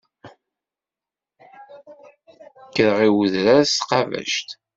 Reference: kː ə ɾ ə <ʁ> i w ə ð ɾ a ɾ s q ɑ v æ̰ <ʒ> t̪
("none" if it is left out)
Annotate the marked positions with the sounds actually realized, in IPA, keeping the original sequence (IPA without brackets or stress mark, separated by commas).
ʁ, ʃ